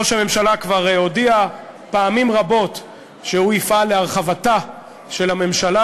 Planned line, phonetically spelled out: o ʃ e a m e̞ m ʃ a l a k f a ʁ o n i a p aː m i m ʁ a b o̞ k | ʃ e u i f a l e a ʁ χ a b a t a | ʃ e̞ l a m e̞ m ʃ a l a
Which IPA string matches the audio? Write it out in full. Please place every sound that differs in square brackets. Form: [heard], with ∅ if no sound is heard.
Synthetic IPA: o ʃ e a m e̞ m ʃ a l a k [v] a ʁ o [d] i a p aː m i m ʁ a b o̞ [t] | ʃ e u i f a l e a ʁ χ a [v] a t a | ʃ e̞ l a m e̞ m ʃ a l a